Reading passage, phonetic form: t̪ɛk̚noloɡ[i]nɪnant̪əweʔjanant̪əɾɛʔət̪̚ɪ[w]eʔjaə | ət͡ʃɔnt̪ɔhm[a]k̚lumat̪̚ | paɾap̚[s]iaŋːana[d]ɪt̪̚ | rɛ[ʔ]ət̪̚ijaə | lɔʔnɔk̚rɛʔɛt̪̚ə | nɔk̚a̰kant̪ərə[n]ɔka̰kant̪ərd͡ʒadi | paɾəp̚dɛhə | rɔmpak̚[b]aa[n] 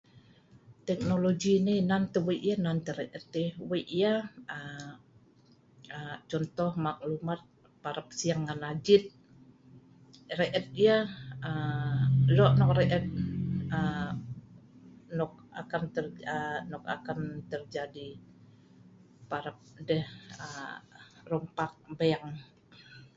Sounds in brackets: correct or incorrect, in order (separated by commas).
correct, correct, correct, correct, incorrect, correct, correct, correct, incorrect